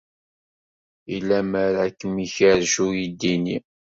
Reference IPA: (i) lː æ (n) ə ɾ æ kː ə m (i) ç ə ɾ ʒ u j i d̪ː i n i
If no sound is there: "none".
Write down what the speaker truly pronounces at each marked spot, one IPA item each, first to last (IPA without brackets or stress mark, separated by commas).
i, m, i